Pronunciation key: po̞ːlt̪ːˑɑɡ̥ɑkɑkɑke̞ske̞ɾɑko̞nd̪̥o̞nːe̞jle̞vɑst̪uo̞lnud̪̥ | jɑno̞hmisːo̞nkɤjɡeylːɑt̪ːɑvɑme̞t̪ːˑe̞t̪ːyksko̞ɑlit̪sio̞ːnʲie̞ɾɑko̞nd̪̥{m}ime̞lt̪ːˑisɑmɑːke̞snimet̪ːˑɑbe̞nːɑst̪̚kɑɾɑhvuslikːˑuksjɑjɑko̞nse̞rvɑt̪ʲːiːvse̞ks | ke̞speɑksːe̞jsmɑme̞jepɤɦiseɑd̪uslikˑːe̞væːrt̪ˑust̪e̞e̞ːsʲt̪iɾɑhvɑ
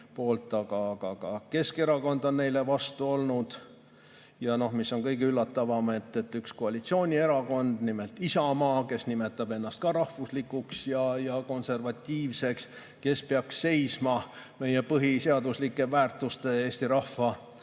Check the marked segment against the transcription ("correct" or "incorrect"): incorrect